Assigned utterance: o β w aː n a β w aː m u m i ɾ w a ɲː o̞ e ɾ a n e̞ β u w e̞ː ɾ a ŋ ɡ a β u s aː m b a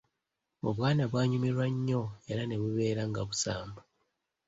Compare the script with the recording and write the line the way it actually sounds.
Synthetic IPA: o β w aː n a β w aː ɲ u m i ɾ w a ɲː o̞ e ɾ a n e̞ β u β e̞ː ɾ a ŋ ɡ a β u s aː m b a